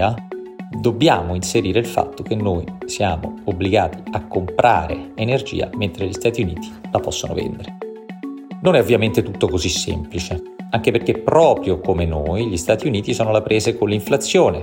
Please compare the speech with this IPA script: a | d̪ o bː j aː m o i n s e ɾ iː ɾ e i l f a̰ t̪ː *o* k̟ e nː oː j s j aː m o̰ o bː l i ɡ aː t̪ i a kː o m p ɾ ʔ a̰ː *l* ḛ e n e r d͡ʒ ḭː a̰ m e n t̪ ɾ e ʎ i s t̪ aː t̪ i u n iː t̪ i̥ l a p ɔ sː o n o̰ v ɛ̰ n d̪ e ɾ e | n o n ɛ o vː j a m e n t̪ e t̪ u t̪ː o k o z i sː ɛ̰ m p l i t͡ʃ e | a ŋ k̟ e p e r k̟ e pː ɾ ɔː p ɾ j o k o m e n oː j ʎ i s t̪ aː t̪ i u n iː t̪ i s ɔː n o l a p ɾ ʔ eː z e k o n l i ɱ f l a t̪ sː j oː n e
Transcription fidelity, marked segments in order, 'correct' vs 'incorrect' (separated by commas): correct, incorrect